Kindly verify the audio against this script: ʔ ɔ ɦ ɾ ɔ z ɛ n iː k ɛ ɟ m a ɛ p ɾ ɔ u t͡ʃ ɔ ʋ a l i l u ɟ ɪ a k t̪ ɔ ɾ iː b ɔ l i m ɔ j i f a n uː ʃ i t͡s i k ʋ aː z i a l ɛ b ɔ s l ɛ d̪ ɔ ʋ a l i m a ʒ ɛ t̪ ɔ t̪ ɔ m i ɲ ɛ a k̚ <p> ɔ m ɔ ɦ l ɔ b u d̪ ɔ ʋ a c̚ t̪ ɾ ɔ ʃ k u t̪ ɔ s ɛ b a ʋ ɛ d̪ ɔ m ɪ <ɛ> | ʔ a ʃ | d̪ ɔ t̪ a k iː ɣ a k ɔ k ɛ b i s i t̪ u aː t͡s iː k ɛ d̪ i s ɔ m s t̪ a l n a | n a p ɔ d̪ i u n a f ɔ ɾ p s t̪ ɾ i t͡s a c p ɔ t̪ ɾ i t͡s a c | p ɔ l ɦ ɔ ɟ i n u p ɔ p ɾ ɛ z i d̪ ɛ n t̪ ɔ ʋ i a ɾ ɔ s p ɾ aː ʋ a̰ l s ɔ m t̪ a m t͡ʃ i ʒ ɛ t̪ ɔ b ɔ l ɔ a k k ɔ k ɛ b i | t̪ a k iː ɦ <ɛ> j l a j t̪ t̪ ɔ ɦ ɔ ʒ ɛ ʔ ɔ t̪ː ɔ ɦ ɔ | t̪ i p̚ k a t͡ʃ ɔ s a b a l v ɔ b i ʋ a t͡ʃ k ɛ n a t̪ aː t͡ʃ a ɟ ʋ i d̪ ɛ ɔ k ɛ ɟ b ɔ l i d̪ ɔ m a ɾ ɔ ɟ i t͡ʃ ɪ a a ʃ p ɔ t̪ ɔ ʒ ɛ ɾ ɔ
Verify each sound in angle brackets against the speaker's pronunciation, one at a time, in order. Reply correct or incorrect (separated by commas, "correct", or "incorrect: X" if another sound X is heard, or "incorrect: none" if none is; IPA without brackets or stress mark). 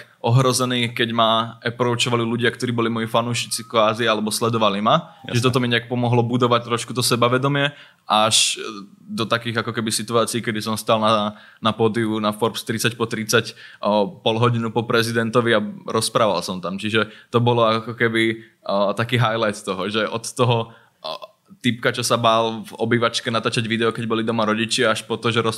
correct, correct, incorrect: a